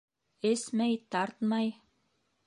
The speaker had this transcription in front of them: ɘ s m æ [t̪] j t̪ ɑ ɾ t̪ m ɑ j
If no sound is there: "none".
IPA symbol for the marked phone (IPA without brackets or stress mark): none